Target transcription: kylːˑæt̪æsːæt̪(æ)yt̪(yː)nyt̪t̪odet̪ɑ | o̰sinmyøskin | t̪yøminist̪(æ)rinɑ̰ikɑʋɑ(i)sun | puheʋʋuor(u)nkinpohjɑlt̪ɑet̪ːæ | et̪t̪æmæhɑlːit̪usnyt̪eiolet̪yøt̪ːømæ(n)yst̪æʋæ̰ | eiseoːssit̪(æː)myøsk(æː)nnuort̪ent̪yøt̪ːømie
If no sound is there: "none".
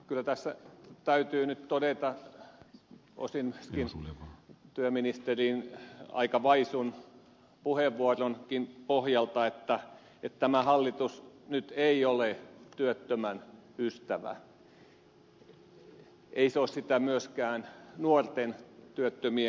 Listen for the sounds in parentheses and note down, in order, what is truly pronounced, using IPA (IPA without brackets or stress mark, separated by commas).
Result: æ, yː, e, i, o, n, æ, æː